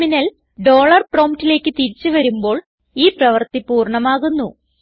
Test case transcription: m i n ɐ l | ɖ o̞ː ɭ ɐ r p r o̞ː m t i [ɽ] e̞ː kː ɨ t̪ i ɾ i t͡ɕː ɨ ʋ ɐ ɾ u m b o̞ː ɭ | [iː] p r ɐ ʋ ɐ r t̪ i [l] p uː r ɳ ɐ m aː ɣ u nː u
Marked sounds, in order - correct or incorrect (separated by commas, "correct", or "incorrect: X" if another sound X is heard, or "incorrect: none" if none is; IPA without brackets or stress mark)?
incorrect: l, correct, incorrect: none